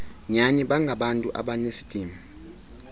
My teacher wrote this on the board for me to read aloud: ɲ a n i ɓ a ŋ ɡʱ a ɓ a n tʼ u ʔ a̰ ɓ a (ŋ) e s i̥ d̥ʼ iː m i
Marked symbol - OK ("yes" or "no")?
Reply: no